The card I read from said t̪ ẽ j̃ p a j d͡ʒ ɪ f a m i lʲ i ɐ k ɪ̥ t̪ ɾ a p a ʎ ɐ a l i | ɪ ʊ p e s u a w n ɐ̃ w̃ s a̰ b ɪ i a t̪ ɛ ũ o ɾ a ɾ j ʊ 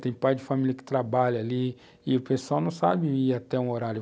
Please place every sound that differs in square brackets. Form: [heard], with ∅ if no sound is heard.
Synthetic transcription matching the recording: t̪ ẽ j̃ p a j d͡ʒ ɪ f a m i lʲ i ɐ k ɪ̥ t̪ ɾ a [b] a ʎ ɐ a l i | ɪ ʊ p e s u a w n ɐ̃ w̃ s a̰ b ɪ i a t̪ ɛ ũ o ɾ a ɾ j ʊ